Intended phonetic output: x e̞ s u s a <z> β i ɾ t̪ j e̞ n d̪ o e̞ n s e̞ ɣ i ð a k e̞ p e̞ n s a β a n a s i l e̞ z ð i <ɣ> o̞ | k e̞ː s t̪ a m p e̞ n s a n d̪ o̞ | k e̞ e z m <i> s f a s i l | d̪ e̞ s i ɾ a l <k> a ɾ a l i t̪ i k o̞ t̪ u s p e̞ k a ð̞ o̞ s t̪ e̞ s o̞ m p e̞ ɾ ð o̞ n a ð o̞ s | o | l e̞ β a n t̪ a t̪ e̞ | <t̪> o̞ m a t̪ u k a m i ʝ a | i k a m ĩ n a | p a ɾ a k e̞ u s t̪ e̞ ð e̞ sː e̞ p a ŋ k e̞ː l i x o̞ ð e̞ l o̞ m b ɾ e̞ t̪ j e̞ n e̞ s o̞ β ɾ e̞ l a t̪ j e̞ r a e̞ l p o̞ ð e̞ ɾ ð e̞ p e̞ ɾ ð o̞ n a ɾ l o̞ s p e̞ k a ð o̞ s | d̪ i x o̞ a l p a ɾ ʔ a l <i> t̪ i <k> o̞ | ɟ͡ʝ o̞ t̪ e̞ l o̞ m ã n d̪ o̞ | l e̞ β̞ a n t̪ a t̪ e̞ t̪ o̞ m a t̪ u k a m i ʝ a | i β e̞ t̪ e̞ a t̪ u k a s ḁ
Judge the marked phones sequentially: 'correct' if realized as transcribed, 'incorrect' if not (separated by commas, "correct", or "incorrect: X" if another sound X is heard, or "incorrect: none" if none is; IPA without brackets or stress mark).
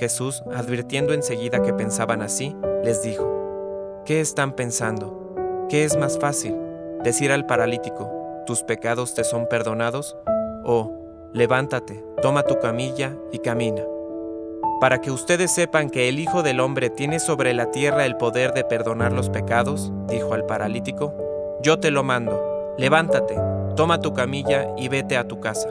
incorrect: ð, incorrect: x, incorrect: a, incorrect: p, correct, correct, correct